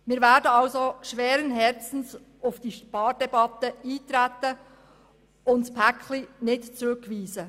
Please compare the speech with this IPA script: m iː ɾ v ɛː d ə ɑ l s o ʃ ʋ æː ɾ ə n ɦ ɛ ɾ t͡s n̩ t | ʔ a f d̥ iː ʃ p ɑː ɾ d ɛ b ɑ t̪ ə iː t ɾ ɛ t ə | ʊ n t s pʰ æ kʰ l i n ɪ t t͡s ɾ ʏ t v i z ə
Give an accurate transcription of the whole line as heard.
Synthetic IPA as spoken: m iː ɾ v ɛː d ə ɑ l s o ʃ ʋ ɛː ɾ ə n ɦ ɛ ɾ t͡s n̩ s | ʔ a f d̥ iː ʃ p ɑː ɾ d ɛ b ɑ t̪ ə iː t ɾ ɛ t ə | ʊ n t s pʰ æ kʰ l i n ɪ t t͡s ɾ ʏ k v iː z ə